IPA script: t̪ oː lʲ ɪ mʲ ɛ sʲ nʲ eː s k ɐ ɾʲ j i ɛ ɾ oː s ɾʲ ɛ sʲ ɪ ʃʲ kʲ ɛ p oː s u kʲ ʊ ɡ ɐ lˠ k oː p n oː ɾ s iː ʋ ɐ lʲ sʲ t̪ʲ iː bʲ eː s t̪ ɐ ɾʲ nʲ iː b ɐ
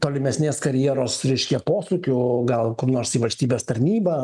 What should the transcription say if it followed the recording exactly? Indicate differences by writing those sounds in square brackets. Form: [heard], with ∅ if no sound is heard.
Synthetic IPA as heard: t̪ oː lʲ ɪ mʲ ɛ sʲ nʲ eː s k ɐ ɾʲ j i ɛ ɾ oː s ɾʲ ɛ [∅] ɪ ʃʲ kʲ ɛ p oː s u kʲ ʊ ɡ ɐ lˠ k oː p n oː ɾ s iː ʋ ɐ lʲ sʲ t̪ʲ iː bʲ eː s t̪ ɐ ɾʲ nʲ iː b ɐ